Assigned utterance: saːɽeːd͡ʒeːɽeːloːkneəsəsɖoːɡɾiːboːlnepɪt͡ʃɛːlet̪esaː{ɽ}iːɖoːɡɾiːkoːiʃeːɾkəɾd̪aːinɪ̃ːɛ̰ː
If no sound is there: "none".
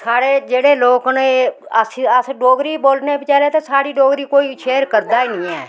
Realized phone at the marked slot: ɽ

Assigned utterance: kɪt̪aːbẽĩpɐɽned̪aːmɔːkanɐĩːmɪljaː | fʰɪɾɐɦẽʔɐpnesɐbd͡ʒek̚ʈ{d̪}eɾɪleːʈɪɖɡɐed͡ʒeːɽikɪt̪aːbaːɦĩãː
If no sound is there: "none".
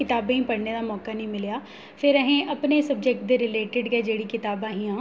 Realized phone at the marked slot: d̪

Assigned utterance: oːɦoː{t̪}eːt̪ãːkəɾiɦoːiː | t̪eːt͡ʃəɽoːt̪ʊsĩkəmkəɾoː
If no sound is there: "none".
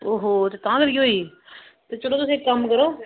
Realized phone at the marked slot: t̪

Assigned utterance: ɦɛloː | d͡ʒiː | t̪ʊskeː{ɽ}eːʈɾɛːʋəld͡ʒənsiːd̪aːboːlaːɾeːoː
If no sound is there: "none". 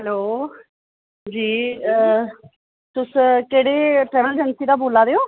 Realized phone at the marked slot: ɽ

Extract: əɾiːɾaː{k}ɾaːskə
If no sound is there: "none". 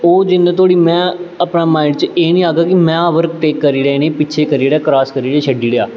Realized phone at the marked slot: k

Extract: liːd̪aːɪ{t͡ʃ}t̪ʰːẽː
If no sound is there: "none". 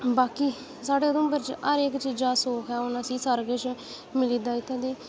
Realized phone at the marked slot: none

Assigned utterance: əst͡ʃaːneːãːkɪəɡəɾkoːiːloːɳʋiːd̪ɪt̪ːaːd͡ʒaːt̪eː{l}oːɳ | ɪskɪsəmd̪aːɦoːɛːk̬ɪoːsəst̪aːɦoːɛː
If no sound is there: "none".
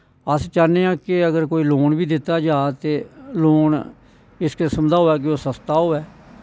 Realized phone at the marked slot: l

